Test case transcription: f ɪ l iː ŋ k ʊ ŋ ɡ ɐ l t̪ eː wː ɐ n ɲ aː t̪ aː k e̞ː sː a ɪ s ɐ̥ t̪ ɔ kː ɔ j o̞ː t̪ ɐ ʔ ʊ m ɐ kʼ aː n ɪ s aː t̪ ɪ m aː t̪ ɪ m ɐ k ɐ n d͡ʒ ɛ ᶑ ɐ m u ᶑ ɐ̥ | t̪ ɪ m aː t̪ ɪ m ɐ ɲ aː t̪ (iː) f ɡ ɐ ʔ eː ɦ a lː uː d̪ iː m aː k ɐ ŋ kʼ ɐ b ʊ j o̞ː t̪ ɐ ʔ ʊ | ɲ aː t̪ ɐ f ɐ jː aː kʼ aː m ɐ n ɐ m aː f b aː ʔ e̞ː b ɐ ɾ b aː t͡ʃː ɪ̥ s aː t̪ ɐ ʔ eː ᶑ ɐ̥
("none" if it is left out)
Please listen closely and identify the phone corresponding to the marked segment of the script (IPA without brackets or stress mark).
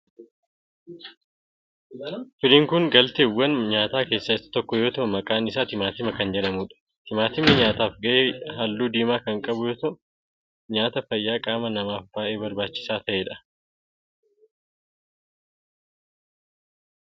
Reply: aː